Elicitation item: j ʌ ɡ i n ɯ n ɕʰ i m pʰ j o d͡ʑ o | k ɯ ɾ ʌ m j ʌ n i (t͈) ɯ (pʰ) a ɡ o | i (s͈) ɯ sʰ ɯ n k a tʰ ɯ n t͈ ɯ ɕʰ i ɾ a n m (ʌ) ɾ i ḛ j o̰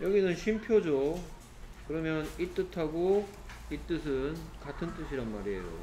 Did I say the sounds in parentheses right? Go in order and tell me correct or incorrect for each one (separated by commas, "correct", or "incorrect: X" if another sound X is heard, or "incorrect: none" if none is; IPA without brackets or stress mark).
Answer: correct, incorrect: tʰ, incorrect: t͈, incorrect: a